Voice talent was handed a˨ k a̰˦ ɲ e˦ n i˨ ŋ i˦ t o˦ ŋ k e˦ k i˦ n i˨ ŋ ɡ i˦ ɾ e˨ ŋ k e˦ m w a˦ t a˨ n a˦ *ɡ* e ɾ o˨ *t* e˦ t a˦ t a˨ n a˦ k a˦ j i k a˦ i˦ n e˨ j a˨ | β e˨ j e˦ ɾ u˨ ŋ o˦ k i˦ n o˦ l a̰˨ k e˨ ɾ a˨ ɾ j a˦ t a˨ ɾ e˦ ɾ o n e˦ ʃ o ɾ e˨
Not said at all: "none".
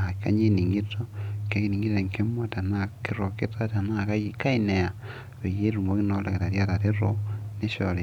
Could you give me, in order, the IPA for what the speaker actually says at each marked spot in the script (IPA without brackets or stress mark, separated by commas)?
k, k